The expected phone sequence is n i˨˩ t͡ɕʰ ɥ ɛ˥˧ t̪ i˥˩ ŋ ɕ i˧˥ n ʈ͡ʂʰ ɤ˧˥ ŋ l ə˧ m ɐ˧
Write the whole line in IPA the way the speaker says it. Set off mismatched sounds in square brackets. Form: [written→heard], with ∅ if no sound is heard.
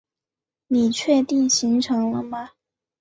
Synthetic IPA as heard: n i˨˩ t͡ɕʰ ɥ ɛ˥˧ t̪ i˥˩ ŋ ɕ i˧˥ [n→ŋ] ʈ͡ʂʰ ɤ˧˥ ŋ l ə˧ m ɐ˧